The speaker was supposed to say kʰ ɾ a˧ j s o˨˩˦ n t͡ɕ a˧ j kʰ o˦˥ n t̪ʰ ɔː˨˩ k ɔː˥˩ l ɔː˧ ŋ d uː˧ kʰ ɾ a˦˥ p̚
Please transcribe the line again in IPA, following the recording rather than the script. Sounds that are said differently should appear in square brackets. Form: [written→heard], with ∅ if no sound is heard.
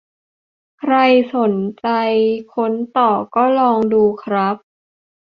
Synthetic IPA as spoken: kʰ ɾ a˧ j s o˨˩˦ n t͡ɕ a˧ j kʰ o˦˥ n [t̪ʰ→t̪] ɔː˨˩ k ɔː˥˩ l ɔː˧ ŋ d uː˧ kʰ ɾ a˦˥ p̚

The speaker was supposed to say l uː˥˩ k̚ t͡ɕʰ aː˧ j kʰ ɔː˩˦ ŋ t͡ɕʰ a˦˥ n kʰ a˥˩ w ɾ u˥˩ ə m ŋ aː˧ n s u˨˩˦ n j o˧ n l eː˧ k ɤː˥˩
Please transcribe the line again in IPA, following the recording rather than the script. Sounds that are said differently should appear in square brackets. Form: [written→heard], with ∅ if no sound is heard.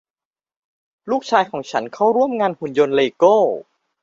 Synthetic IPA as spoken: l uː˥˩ k̚ t͡ɕʰ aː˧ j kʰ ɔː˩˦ ŋ t͡ɕʰ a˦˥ n kʰ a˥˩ w ɾ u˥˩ ə m ŋ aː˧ n [s→h] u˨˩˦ n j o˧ n l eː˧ k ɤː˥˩

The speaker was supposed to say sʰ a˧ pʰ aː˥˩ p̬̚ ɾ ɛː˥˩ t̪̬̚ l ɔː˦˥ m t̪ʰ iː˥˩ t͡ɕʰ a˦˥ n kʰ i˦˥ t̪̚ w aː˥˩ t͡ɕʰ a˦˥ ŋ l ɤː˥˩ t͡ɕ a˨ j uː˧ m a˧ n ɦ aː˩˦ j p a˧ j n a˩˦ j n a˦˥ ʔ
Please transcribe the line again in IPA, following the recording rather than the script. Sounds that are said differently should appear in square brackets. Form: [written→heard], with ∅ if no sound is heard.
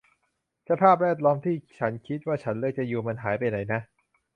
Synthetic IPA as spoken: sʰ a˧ pʰ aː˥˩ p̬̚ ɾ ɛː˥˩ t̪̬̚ l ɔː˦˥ m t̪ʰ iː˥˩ t͡ɕʰ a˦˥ n kʰ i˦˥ t̪̚ w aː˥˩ t͡ɕʰ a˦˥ [ŋ→n] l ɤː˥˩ t͡ɕ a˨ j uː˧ m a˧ n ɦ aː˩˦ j p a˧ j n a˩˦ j n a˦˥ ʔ

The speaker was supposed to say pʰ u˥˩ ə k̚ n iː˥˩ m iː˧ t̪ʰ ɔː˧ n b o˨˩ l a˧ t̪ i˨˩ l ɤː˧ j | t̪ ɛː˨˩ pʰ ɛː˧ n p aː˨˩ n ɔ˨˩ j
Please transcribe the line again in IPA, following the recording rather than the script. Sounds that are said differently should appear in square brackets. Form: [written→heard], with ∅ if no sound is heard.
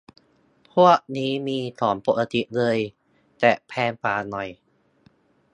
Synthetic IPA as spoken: pʰ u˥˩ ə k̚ n [iː˥˩→iː˦˥] m iː˧ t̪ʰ [ɔː˧→ɔː˩˦] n [b→p] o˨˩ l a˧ t̪ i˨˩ l ɤː˧ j | t̪ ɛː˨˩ pʰ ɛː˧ n p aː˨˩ n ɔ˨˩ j

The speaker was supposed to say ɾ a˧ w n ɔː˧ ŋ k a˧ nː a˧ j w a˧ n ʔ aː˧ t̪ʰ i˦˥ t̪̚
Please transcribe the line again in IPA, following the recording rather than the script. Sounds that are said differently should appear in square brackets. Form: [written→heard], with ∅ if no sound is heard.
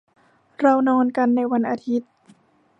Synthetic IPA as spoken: ɾ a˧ w n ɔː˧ [ŋ→n] k a˧ nː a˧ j w a˧ n ʔ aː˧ t̪ʰ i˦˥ t̪̚

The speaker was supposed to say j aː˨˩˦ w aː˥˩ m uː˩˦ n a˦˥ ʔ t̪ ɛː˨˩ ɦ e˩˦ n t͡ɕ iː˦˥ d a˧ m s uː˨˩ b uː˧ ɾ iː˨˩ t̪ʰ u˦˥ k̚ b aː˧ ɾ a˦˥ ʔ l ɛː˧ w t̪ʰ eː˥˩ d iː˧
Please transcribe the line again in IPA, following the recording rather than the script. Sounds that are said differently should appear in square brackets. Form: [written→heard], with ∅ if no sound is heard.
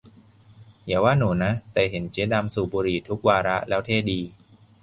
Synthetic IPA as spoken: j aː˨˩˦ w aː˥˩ [m→n] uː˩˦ n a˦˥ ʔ t̪ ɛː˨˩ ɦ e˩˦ n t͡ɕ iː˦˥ d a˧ m s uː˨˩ b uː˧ ɾ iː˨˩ t̪ʰ u˦˥ k̚ [b→w] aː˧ ɾ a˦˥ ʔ l [ɛː˧→ɛː˦˥] w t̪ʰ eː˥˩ d iː˧

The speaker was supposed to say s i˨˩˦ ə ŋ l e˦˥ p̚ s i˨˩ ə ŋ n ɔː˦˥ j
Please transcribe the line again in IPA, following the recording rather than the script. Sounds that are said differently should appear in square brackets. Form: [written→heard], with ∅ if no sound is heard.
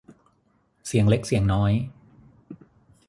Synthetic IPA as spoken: s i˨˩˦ ə ŋ l e˦˥ [p̚→k̚] s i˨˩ ə ŋ n ɔː˦˥ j

